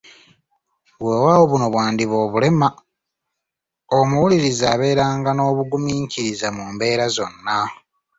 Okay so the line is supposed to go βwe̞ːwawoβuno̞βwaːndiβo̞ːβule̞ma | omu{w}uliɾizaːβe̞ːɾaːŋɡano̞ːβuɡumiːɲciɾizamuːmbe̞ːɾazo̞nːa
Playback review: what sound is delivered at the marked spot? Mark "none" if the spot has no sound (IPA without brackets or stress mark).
w